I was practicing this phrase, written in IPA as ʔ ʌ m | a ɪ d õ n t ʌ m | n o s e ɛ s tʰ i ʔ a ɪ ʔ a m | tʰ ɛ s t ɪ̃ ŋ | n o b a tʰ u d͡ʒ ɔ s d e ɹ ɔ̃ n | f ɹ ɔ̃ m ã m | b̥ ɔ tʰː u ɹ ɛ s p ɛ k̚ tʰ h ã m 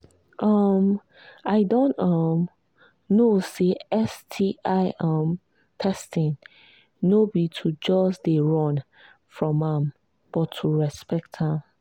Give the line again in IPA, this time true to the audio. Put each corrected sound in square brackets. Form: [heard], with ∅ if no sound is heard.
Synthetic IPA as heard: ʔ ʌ m | a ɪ d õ n t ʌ m | n o s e ɛ s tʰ i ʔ a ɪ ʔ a m | tʰ ɛ s t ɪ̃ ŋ | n o b [i] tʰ u d͡ʒ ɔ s d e ɹ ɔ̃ n | f ɹ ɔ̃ m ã m | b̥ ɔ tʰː u ɹ ɛ s p ɛ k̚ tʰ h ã m